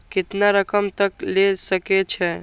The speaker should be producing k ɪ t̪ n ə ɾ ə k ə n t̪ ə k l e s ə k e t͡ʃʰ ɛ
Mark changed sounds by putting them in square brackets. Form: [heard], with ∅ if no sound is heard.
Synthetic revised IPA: k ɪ t̪ n [a] ɾ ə k ə [m] t̪ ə k l e s ə k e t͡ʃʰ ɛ